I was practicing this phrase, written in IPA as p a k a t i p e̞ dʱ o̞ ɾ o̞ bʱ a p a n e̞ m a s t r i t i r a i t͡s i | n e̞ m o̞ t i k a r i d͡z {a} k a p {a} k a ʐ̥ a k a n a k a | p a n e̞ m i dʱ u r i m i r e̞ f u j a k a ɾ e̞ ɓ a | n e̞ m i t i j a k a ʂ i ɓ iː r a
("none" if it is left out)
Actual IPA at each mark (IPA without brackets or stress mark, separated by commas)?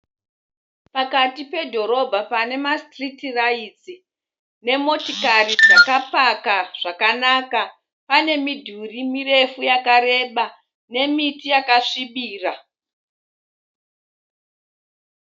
a, a